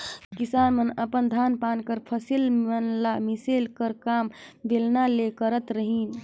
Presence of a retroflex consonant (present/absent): absent